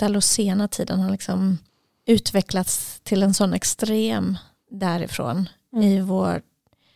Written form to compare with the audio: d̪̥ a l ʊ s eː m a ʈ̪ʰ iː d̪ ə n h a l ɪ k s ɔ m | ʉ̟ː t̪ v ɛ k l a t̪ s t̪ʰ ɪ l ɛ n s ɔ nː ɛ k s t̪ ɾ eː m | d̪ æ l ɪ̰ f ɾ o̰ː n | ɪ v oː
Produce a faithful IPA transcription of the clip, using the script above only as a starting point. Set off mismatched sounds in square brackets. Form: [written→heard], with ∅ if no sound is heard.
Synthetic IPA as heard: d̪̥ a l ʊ s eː [m→n] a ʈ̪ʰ iː d̪ ə n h a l ɪ k s ɔ m | ʉ̟ː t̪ v ɛ k l a t̪ s t̪ʰ ɪ l ɛ n s ɔ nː ɛ k s t̪ ɾ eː m | d̪ æ [l→ɾ] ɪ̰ f ɾ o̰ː n | ɪ v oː